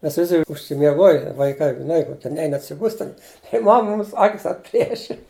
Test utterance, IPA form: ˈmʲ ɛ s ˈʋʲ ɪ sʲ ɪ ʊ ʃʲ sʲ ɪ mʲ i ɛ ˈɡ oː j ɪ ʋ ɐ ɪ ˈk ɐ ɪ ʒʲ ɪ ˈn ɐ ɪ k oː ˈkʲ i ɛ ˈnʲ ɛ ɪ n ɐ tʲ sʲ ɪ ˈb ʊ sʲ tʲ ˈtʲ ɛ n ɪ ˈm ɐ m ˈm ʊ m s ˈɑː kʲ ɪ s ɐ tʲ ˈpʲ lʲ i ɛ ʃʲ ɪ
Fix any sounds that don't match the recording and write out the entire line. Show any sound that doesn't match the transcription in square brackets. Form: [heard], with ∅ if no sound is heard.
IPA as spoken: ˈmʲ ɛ s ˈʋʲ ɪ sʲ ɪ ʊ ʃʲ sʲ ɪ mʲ i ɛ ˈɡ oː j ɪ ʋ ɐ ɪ ˈk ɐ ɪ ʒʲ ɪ ˈn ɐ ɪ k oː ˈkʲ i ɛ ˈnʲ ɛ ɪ n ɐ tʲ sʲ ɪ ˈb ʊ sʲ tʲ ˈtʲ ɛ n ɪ ˈm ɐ m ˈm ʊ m s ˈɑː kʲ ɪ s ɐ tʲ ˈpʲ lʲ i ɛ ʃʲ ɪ